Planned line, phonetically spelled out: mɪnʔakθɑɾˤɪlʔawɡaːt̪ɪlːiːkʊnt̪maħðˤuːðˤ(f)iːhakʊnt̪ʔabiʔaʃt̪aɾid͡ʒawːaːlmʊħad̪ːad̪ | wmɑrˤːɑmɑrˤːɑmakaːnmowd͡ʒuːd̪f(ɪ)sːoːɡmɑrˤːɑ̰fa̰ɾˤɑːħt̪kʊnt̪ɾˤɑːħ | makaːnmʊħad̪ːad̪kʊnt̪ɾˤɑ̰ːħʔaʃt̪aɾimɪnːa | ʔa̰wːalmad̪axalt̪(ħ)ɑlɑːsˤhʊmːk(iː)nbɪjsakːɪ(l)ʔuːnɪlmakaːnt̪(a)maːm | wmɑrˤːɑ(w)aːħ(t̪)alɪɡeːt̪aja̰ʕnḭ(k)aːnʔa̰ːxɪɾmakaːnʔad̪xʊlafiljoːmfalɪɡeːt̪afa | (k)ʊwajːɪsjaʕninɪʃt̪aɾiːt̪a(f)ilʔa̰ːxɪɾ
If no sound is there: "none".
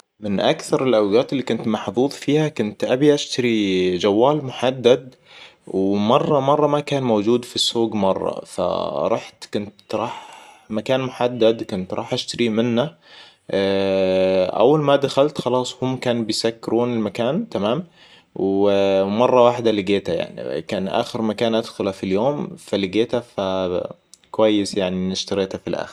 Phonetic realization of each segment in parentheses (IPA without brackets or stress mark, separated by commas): f, i, x, aː, ɾ, a, w, d̪, k, k, f